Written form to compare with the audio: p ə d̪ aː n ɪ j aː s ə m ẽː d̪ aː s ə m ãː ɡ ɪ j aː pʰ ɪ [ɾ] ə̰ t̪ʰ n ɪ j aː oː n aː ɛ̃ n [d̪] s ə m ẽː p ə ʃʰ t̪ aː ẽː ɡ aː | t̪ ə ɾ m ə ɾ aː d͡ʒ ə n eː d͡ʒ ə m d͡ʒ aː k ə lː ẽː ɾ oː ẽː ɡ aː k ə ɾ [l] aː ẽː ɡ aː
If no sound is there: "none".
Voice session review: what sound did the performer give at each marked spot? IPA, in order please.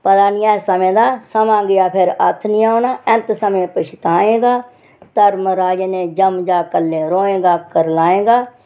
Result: ɾ, t̪, l

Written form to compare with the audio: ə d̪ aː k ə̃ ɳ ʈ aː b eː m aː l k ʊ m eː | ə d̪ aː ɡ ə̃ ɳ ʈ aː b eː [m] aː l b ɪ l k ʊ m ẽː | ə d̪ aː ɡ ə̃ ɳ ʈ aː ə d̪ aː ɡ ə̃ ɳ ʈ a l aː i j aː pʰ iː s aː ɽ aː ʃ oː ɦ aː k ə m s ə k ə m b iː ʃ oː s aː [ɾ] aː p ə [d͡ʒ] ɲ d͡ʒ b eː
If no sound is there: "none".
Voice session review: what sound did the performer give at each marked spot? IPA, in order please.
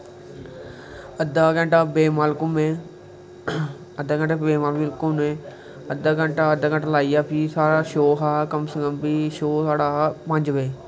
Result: m, ɽ, none

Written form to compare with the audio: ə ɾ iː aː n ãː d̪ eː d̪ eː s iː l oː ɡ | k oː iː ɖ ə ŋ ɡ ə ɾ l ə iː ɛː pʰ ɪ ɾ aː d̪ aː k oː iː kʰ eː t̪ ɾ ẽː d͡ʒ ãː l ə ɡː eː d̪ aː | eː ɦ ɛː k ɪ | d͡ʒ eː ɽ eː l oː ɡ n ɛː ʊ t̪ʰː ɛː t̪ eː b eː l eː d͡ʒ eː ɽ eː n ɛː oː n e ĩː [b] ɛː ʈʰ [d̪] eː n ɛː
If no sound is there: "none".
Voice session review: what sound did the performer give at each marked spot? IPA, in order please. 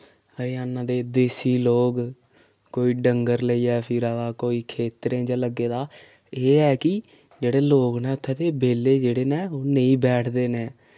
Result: b, d̪

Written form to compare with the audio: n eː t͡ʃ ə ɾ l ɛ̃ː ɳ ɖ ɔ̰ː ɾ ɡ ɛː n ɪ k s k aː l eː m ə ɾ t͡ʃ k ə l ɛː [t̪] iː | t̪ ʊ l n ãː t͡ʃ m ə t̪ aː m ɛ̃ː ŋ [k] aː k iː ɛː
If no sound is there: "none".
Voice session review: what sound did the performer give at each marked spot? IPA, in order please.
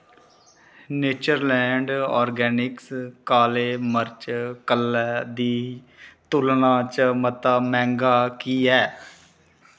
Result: d̪, ɡ

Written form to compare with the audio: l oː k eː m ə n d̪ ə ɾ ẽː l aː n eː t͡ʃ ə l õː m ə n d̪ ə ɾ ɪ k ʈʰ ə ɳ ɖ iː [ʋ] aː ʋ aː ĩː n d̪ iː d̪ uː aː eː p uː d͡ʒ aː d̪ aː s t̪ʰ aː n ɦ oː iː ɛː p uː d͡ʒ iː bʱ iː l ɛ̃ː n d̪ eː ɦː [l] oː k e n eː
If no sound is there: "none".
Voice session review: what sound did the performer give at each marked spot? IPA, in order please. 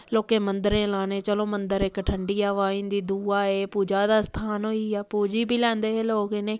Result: none, l

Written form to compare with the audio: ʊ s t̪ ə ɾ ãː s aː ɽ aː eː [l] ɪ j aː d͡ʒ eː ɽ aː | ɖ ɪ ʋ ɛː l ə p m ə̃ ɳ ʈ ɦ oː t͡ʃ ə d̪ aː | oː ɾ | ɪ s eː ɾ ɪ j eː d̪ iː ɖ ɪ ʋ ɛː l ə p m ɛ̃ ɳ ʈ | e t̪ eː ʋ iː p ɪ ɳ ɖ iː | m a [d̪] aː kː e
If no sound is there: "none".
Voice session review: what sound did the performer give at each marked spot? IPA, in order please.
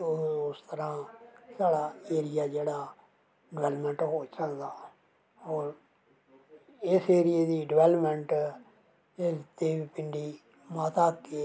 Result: ɾ, t̪

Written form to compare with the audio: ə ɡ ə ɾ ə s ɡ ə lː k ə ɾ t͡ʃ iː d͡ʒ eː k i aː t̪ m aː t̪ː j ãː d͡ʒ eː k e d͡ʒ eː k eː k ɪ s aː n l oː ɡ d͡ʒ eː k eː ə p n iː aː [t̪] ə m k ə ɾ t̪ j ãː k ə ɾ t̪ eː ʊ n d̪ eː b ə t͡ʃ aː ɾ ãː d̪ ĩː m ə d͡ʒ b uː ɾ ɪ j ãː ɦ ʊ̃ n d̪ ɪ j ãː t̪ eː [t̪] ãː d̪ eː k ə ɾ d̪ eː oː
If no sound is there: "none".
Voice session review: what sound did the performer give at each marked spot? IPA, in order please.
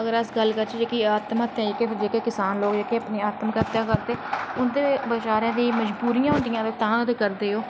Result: t̪, t̪

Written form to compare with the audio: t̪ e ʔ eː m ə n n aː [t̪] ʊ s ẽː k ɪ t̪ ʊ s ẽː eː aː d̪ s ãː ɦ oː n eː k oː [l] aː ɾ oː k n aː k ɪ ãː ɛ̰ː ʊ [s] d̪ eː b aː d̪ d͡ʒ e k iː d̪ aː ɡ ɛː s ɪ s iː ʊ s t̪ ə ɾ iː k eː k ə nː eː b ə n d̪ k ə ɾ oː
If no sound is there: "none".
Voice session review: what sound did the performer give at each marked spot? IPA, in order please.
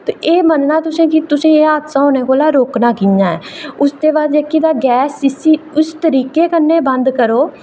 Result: t̪, l, s

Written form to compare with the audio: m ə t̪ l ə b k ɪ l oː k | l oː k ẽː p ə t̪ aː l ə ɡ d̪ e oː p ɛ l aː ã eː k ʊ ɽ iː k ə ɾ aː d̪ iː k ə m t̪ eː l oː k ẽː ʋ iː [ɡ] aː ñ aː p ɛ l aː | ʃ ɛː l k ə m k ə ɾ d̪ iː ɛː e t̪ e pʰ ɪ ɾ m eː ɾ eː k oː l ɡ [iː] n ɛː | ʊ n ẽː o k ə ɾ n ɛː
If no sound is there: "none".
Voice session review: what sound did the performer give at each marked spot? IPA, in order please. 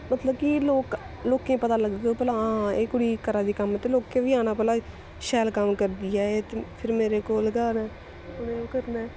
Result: none, aː

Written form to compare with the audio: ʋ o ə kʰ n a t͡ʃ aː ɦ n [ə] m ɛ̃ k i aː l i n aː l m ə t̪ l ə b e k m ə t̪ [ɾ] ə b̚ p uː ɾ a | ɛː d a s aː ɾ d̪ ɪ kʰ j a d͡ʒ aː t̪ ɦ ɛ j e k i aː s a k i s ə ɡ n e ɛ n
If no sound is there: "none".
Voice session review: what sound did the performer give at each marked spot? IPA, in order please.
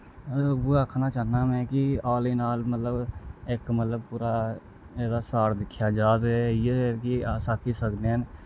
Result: a, l

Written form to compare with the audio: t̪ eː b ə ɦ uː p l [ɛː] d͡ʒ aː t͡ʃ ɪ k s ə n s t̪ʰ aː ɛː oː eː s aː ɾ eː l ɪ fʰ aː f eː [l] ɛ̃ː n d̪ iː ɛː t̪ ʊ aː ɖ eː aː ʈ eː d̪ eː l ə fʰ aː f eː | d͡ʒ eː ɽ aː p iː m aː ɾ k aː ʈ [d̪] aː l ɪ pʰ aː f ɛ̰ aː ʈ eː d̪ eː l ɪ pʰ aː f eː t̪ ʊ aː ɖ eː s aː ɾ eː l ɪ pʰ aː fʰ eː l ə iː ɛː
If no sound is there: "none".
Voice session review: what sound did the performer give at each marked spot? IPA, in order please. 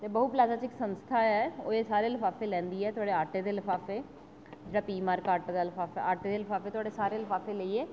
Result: aː, l, d̪

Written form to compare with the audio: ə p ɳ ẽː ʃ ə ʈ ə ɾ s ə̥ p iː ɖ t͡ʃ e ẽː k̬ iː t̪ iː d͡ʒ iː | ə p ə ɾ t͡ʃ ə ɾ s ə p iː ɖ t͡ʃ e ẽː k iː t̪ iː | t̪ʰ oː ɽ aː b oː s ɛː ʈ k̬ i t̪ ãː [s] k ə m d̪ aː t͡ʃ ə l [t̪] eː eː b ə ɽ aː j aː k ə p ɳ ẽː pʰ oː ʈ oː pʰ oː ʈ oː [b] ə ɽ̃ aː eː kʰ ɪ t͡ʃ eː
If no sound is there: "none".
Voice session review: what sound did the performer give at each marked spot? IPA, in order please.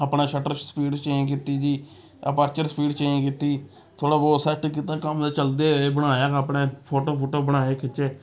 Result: none, d̪, b

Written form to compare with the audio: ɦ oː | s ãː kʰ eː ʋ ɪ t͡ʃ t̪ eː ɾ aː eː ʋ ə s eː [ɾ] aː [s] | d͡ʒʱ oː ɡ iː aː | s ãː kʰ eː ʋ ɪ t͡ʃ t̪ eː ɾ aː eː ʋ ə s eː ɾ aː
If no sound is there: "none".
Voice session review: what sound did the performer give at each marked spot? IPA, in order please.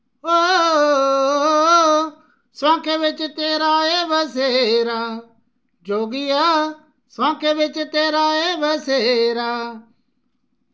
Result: ɾ, none

